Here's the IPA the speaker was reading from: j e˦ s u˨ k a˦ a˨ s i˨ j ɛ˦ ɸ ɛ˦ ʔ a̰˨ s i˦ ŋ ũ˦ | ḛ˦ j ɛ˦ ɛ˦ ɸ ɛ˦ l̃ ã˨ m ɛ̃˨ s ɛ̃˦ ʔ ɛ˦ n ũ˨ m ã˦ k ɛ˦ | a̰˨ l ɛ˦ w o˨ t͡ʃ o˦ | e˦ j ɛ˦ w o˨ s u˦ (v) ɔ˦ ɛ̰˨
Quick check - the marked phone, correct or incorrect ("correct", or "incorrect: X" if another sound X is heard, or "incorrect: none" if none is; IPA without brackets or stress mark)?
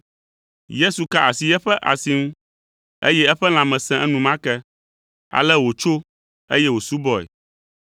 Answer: incorrect: b